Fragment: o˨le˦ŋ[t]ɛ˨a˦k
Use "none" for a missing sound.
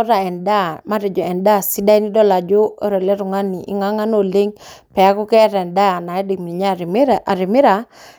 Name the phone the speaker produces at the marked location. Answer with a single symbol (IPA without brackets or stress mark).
p